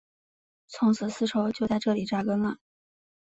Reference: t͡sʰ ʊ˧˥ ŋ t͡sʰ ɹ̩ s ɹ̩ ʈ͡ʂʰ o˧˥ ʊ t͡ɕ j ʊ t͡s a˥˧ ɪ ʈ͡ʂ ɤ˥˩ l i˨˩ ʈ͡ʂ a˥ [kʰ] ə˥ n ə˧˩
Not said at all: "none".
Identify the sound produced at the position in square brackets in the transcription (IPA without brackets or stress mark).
k